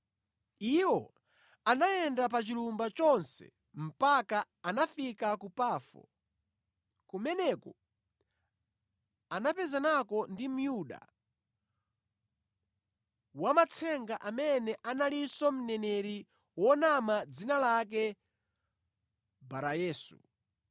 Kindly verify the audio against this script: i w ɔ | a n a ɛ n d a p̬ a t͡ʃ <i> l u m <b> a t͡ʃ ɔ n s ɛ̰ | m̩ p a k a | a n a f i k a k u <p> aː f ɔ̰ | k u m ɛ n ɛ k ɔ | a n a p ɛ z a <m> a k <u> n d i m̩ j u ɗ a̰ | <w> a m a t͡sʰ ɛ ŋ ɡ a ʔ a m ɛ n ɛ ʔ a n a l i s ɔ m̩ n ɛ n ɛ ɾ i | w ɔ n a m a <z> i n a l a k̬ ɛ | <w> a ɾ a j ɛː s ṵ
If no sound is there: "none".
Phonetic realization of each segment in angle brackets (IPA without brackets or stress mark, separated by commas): i, b, p, n, ɔ, w, d͡z, b